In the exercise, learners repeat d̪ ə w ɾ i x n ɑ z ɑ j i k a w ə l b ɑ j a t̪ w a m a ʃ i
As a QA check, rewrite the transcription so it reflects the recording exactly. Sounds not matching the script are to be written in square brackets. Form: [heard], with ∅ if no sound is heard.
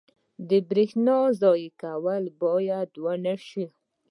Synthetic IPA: d̪ ə [b] ɾ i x n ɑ z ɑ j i k a w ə l b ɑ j a [d̪] w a [n] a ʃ i